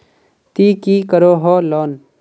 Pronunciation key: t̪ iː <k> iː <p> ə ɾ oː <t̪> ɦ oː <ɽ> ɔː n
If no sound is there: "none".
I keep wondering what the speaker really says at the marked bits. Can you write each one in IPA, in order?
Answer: k, k, none, l

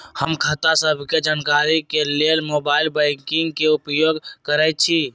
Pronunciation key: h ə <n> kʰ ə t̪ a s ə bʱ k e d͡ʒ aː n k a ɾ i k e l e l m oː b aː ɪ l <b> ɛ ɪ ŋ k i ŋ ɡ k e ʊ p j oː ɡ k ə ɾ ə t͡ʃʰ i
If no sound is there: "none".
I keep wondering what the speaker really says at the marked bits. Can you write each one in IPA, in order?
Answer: m, b

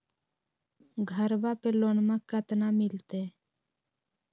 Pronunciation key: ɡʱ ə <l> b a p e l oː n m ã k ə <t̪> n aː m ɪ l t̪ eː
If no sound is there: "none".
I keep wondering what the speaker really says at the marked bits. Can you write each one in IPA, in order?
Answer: ɾ, t̪

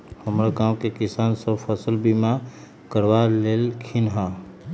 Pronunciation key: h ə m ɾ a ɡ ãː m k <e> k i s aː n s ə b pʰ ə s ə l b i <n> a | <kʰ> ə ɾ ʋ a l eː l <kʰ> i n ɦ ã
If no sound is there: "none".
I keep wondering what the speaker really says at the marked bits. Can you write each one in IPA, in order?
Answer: e, m, k, kʰ

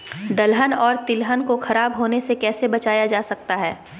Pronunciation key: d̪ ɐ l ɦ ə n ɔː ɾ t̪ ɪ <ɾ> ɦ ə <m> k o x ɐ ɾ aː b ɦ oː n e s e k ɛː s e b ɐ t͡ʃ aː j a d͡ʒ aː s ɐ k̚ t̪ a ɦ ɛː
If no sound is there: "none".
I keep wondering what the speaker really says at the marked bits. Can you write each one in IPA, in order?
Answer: l, n

